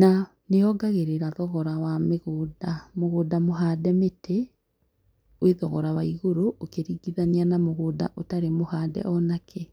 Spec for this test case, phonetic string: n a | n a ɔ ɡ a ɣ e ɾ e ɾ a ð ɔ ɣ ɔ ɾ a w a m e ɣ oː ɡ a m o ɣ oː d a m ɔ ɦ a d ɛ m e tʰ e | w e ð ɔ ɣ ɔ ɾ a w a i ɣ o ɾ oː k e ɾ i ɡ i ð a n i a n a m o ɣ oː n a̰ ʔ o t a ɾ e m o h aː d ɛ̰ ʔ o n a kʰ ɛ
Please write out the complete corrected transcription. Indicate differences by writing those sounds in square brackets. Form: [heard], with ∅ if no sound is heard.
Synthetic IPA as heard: n a | n [e] ɔ ɡ a ɣ e ɾ e ɾ a ð ɔ ɣ ɔ ɾ a w a m e ɣ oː [d] a m o ɣ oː d a m [o] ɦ a d ɛ m e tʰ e | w e ð ɔ ɣ ɔ ɾ a w a i ɣ o ɾ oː k e ɾ i ɡ i ð a n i a n a m o ɣ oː [d] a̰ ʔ o t a ɾ e m o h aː d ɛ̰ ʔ [ɔ] n a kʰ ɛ